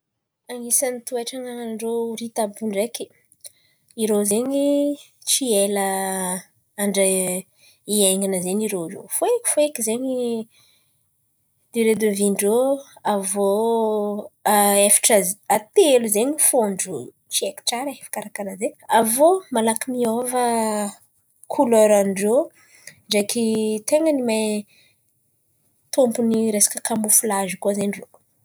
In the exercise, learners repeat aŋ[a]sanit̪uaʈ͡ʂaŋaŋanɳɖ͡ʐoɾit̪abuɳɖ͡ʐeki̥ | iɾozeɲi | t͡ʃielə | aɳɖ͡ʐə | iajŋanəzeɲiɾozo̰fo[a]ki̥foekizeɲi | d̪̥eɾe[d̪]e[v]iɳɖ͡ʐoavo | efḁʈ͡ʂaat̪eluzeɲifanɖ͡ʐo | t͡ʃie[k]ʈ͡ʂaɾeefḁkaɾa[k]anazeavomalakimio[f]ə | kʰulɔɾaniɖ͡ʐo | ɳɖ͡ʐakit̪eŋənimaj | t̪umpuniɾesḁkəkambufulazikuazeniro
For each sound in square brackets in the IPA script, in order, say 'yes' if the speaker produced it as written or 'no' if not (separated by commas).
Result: no, no, yes, yes, yes, yes, no